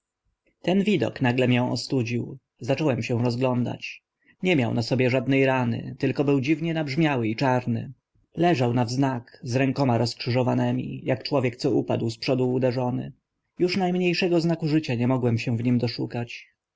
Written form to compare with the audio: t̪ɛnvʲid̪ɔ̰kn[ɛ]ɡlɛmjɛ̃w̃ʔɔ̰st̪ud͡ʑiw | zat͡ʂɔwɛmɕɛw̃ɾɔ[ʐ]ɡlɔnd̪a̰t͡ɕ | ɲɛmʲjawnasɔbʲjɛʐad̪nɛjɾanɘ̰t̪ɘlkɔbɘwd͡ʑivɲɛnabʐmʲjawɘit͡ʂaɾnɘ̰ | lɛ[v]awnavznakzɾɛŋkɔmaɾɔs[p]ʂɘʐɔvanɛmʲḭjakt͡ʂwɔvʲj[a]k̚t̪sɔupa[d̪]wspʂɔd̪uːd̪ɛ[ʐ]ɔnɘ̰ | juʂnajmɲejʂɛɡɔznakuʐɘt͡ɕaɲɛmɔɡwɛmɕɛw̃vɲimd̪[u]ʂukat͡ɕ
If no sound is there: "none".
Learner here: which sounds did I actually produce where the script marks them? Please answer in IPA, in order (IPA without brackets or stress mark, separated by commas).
a, z, ʐ, k, ɛ, d̪, ʐ, ɔ